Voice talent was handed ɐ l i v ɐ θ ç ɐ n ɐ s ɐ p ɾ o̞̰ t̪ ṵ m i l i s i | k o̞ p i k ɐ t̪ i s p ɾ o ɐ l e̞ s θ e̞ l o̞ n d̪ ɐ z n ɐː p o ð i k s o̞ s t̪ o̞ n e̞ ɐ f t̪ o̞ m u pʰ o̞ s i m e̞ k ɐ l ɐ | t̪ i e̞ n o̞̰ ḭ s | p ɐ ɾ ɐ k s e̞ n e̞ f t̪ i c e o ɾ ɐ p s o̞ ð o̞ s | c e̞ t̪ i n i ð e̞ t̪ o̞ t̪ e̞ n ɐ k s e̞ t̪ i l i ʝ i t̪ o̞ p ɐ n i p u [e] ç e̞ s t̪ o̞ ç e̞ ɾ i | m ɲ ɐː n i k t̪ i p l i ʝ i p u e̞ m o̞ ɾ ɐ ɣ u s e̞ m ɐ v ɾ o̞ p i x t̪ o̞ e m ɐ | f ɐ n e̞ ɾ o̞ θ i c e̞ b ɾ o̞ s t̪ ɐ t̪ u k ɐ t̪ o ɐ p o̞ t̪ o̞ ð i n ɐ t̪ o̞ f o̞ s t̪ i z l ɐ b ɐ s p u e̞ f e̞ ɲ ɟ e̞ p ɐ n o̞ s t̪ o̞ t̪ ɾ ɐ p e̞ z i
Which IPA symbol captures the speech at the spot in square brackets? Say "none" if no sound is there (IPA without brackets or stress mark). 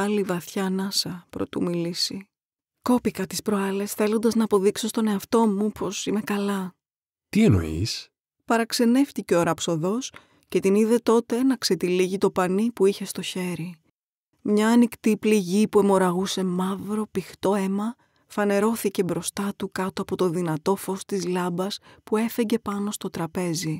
i